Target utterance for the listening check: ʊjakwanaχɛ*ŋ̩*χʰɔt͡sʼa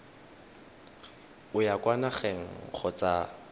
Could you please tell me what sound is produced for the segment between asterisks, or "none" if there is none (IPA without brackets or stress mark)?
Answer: ŋ̩